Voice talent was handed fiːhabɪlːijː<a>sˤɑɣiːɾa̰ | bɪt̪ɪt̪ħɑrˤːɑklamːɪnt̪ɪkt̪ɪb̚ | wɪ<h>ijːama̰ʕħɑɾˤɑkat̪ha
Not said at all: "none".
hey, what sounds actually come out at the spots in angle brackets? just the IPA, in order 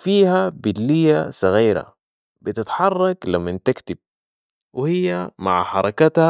a, h

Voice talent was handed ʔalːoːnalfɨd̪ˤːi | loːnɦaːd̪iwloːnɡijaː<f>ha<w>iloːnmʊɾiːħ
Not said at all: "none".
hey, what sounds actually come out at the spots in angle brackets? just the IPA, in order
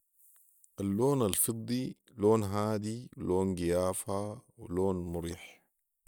f, w

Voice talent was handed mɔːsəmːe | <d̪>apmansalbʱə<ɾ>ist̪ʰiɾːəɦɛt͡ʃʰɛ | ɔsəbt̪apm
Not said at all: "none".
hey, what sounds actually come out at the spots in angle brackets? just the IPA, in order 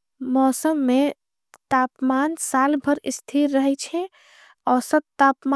t̪, ɾ

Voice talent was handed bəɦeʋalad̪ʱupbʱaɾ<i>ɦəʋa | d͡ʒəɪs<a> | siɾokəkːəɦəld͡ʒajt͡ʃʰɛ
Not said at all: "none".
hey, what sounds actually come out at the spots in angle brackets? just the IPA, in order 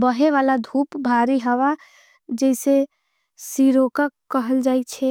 i, e

